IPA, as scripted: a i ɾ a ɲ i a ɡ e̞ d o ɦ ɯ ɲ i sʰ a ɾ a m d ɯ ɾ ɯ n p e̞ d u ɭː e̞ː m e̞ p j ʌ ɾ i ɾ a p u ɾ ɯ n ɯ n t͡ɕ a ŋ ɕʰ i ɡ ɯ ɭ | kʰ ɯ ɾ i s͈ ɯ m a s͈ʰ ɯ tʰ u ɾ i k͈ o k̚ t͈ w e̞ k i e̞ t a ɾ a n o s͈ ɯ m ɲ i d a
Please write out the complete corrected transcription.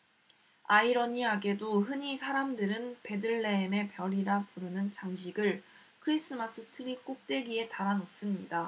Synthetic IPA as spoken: a i ɾ ʌ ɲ i a ɡ e̞ d o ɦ ɯ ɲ i sʰ a ɾ a m d ɯ ɾ ɯ n p e̞ d ɯ ɭː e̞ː m e̞ p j ʌ ɾ i ɾ a p u ɾ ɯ n ɯ n t͡ɕ a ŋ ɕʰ i ɡ ɯ ɭ | kʰ ɯ ɾ i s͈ ɯ m a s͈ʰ ɯ tʰ ɯ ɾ i k͈ o k̚ t͈ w e̞ ɡ i e̞ t a ɾ a n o s͈ ɯ m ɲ i d a